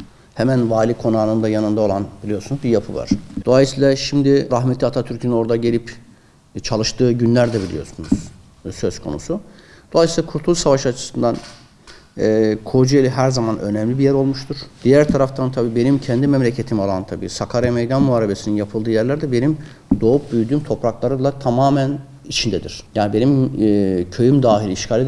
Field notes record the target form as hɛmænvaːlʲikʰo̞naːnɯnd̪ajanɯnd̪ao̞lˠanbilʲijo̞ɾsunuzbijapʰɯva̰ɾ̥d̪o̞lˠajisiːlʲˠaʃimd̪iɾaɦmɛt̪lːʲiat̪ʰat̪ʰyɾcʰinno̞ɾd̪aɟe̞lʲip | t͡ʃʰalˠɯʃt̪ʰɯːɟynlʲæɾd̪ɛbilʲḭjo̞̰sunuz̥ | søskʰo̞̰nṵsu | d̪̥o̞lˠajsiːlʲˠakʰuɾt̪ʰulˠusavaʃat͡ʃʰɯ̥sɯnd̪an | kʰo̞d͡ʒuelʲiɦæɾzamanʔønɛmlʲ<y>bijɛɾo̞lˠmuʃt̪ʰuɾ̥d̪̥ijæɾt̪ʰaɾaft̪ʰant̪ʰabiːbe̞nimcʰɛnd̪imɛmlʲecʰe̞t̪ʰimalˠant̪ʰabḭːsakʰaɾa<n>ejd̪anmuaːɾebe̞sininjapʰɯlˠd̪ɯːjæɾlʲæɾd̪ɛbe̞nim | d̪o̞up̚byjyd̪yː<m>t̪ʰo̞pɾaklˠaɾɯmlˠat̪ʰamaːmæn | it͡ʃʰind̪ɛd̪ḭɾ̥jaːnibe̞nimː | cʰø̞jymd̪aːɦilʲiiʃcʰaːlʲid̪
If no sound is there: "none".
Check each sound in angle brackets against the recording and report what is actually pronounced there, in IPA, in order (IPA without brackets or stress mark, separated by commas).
i, m, m